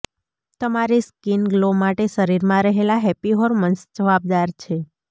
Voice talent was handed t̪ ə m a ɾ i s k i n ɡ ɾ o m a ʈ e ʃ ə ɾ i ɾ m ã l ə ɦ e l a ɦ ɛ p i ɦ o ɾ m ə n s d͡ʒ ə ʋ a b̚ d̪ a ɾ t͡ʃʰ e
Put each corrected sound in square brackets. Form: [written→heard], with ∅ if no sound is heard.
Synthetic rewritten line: t̪ ə m a ɾ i s k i n ɡ [ɾ→l] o m a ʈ e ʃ ə ɾ i ɾ m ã [l→ɾ] ə ɦ e l a ɦ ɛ p i ɦ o ɾ m ə n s d͡ʒ ə ʋ a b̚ d̪ a ɾ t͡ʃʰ e

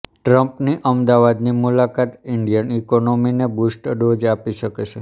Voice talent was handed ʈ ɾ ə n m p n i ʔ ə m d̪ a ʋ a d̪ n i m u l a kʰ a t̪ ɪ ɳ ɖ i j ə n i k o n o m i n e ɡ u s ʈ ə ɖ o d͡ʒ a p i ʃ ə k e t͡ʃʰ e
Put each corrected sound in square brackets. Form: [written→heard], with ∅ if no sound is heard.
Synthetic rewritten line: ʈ ɾ ə [n→∅] m p n i ʔ ə m d̪ a ʋ a d̪ n i m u l a [kʰ→k] a t̪ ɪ ɳ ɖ i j ə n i k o n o m i n e [ɡ→b] u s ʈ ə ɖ o d͡ʒ a p i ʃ ə k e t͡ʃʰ e

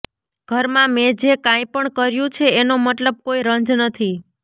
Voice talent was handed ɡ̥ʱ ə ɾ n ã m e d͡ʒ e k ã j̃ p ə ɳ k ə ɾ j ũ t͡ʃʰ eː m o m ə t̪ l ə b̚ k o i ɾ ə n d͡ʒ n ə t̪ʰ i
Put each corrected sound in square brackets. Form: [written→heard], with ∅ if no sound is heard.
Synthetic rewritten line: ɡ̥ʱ ə ɾ [n→m] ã m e d͡ʒ e k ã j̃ p ə ɳ k ə ɾ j ũ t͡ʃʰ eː [m→n] o m ə t̪ l ə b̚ k o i ɾ ə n d͡ʒ n ə t̪ʰ i

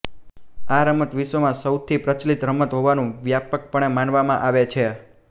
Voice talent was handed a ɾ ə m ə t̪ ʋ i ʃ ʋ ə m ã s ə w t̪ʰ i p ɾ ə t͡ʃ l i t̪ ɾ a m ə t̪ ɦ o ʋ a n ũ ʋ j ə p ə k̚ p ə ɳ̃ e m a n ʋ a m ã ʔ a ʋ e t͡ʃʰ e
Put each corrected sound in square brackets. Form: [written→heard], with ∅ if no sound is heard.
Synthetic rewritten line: a ɾ ə m ə t̪ ʋ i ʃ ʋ ə m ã s ə w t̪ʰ i p ɾ ə t͡ʃ l i t̪ ɾ [a→ə] m ə t̪ ɦ o ʋ a n ũ ʋ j [ə→a] p ə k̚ p ə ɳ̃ e m a n ʋ a m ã ʔ a ʋ e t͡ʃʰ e

